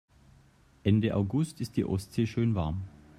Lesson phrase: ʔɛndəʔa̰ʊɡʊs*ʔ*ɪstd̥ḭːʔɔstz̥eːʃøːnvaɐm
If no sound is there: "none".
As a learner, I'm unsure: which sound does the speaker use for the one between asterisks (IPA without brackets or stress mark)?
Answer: t